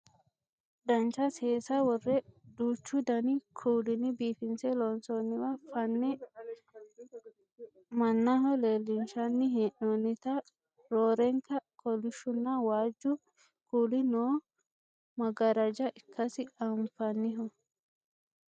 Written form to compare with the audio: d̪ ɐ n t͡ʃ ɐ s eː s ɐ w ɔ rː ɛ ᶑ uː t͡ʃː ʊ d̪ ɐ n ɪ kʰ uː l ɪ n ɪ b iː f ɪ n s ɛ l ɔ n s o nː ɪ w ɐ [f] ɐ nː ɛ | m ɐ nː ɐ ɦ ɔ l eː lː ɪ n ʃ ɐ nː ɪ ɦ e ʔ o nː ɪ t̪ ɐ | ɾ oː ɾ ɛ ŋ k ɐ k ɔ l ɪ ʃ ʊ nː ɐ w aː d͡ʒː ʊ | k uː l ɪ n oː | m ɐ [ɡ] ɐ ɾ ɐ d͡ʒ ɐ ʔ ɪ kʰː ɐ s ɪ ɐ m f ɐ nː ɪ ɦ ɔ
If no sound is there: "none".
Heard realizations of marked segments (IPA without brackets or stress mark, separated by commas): f, ɡ